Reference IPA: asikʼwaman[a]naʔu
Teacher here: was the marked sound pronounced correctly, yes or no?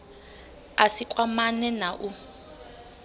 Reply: no